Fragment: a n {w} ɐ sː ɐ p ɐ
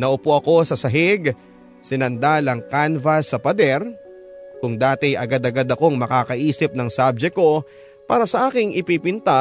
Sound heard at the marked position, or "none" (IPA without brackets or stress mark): v